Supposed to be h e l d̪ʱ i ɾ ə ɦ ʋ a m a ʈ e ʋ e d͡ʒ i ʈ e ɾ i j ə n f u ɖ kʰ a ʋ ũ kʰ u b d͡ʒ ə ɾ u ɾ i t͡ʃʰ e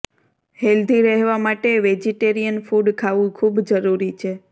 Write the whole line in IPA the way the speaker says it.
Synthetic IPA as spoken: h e l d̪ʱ i ɾ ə ɦ ʋ a m a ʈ e ʋ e d͡ʒ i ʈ e ɾ i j ə n f u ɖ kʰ a ʋ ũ kʰ u b d͡ʒ ə ɾ u ɾ i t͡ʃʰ e